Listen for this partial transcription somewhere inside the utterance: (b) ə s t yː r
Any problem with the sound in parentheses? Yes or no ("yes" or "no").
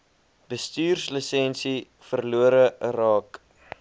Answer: no